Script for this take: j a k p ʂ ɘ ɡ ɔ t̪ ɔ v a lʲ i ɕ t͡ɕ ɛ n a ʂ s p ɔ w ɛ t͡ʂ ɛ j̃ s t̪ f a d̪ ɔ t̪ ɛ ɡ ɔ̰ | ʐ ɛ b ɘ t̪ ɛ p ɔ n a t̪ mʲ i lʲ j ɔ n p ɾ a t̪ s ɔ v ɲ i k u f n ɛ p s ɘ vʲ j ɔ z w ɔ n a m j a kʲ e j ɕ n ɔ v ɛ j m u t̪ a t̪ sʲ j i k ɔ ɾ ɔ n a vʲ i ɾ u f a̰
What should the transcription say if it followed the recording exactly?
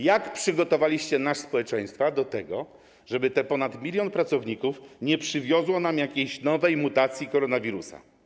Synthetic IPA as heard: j a k p ʂ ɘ ɡ ɔ t̪ ɔ v a lʲ i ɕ t͡ɕ ɛ n a ʂ s p ɔ w ɛ t͡ʂ ɛ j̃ s t̪ f a d̪ ɔ t̪ ɛ ɡ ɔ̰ | ʐ ɛ b ɘ t̪ ɛ p ɔ n a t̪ mʲ i lʲ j ɔ n p ɾ a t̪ s ɔ v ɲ i k u f ɲ ɛ p ʂ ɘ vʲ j ɔ z w ɔ n a m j a kʲ e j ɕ n ɔ v ɛ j m u t̪ a t̪ sʲ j i k ɔ ɾ ɔ n a vʲ i ɾ u s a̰